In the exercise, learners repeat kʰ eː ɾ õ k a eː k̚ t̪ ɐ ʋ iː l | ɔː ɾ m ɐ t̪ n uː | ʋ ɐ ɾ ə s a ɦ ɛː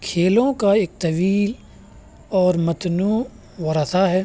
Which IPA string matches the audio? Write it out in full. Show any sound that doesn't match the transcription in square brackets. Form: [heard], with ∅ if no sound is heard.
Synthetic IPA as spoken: kʰ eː [l] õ k a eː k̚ t̪ ɐ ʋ iː l | ɔː ɾ m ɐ t̪ n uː | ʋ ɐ ɾ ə s a ɦ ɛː